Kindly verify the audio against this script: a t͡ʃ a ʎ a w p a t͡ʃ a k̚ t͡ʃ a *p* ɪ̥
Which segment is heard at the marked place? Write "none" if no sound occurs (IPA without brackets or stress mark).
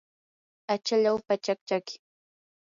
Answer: k